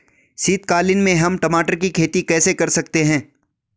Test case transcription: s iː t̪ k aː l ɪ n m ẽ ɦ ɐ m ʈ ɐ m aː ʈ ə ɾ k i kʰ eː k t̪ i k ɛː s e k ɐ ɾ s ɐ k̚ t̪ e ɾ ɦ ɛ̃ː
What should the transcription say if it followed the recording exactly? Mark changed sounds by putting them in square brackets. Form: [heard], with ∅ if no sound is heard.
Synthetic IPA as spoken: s iː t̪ k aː l ɪ n m ẽ ɦ ɐ m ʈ ɐ m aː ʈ ə ɾ k i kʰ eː [∅] t̪ i k ɛː s e k ɐ ɾ s ɐ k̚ t̪ e [∅] ɦ ɛ̃ː